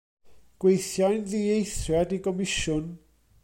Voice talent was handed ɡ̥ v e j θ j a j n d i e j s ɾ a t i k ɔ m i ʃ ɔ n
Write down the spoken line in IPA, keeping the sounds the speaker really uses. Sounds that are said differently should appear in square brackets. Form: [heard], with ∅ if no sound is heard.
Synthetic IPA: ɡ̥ [w] e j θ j a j n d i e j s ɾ a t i k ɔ m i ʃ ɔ n